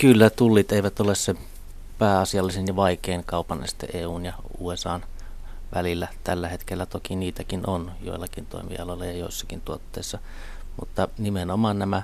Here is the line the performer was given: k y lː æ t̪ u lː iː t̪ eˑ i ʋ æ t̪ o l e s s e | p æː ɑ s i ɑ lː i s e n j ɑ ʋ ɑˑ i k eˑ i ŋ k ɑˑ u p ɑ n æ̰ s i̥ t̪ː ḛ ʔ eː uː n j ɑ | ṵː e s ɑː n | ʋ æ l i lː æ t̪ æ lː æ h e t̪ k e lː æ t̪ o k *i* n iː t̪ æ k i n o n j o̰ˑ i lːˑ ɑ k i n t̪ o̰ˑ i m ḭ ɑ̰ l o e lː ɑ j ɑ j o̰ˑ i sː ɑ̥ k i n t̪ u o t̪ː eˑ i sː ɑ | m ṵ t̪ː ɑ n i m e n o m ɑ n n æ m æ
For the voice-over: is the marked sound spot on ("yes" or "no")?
yes